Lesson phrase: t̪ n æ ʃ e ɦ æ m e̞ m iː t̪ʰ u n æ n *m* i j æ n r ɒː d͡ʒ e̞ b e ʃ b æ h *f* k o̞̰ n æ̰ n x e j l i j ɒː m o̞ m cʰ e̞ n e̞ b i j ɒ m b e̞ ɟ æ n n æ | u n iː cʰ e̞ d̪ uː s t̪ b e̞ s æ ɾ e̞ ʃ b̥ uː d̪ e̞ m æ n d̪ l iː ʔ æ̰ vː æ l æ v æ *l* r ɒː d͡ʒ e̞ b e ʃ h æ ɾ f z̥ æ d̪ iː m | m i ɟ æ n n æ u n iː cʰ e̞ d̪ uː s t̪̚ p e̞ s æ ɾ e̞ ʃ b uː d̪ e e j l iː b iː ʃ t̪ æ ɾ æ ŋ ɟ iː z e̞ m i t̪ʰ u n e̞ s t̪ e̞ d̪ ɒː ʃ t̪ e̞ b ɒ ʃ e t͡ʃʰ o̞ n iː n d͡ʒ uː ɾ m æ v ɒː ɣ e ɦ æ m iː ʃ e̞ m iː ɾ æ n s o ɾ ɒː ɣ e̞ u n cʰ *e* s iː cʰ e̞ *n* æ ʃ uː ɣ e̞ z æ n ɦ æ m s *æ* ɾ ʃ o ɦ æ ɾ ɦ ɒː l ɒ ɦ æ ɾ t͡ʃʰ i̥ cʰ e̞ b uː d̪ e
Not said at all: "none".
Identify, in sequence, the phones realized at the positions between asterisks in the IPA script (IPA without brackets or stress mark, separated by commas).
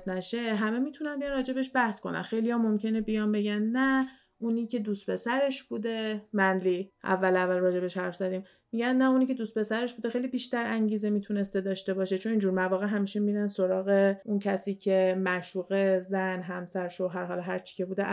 b, s, l, æ, m, æ